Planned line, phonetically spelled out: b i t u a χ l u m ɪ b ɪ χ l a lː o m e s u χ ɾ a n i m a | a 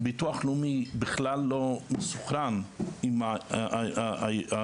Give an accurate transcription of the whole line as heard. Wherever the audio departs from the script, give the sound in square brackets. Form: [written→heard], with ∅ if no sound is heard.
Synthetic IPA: b i t u a χ l u m [ɪ→i] b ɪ χ l a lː o m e s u χ ɾ a n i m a | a